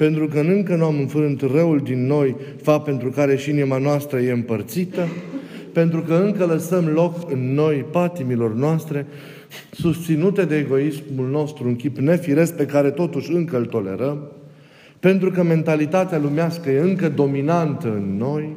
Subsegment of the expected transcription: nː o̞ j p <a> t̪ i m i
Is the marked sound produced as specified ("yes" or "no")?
yes